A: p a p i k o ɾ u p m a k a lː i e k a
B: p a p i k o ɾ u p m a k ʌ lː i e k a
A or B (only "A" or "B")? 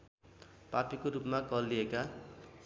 B